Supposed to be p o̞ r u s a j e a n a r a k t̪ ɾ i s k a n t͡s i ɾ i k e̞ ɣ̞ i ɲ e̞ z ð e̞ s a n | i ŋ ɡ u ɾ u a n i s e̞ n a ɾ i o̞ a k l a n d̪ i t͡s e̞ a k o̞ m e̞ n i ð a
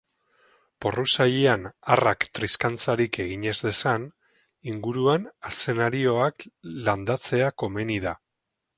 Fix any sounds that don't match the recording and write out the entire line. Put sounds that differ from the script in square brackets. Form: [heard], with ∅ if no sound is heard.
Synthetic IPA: p o̞ r u s a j e a n a r a k t̪ ɾ i s k a n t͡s [a] ɾ i k e̞ ɣ̞ i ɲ e̞ z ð e̞ s a n | i ŋ ɡ u ɾ u a n [a] s e̞ n a ɾ i o̞ a k l a n d̪ [a] t͡s e̞ a k o̞ m e̞ n i ð a